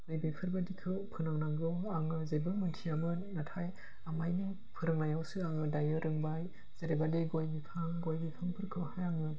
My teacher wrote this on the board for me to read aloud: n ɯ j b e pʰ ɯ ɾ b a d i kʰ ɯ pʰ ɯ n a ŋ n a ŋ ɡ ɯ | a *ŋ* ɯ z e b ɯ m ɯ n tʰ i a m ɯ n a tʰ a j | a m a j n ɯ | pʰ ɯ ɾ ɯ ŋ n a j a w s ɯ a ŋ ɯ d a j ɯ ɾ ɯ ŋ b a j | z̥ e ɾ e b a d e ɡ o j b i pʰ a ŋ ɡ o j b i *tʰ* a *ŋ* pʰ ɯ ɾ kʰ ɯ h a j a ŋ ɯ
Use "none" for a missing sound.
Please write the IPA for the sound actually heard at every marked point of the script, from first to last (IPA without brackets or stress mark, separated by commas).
ŋ, pʰ, ŋ